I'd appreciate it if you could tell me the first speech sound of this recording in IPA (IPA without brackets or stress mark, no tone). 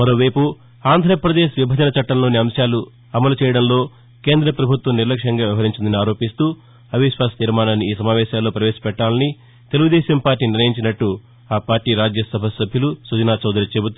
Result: m